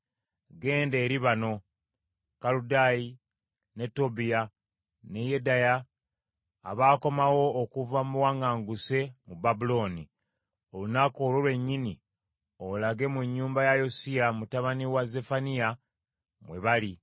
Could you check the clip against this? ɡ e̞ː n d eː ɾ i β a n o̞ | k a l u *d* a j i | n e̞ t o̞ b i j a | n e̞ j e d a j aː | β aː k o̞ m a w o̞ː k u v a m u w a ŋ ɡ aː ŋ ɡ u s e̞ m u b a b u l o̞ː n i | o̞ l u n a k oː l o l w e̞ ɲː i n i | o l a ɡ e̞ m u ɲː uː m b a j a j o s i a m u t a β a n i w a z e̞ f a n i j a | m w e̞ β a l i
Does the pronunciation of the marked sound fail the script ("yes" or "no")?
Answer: no